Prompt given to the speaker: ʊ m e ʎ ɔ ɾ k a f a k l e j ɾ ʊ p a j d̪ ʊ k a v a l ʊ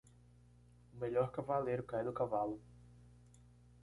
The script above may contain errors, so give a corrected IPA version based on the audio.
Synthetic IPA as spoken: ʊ m e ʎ ɔ ɾ k a v a l e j ɾ ʊ k a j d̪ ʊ k a v a l ʊ